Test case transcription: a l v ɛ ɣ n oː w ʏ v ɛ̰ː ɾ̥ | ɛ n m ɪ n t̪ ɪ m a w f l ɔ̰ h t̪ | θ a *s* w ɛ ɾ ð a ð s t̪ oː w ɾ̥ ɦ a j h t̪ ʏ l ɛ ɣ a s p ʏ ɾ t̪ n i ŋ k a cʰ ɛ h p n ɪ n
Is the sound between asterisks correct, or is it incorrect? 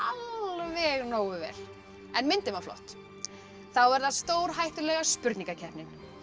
incorrect